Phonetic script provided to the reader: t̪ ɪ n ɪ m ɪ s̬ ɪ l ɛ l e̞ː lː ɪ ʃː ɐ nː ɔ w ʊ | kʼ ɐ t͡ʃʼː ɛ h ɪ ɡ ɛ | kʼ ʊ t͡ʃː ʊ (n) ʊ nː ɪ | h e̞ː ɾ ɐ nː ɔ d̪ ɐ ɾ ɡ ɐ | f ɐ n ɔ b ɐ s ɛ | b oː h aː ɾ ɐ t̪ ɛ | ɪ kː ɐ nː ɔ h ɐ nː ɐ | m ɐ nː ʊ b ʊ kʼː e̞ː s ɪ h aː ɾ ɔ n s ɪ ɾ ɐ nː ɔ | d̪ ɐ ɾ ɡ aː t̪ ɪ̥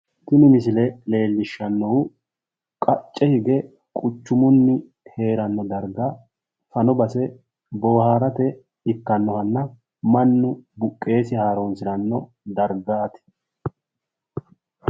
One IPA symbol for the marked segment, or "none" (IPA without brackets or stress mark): m